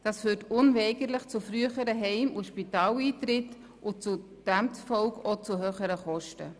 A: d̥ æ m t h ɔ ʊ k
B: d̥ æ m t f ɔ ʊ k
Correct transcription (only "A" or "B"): B